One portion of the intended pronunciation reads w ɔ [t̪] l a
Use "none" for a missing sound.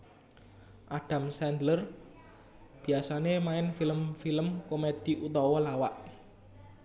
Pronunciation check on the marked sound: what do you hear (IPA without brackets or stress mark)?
none